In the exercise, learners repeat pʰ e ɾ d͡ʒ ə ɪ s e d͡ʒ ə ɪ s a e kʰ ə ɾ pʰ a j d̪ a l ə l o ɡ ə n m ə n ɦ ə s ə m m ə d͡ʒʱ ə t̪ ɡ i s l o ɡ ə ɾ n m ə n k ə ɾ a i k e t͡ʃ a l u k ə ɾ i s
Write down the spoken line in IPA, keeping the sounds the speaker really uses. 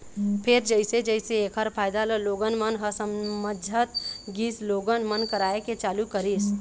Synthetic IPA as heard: pʰ e ɾ d͡ʒ ə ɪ s e d͡ʒ ə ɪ s e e kʰ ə ɾ pʰ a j d̪ a l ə l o ɡ ə n m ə n ɦ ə s ə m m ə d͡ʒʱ ə t̪ ɡ i s l o ɡ ə n m ə n k ə ɾ a e k e t͡ʃ a l u k ə ɾ i s

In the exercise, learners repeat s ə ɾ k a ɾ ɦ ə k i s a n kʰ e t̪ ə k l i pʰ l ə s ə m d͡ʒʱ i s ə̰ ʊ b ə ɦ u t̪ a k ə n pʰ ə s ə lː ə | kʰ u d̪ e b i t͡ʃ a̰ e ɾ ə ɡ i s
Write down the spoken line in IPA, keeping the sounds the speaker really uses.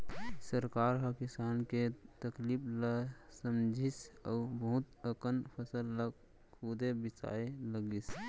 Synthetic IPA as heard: s ə ɾ k a ɾ ɦ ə k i s a n k e t̪ ə k l i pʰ l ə s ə m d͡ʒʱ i s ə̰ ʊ b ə ɦ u t̪ ə k ə n pʰ ə s ə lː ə | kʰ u d̪ e b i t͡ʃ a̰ e l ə ɡ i s

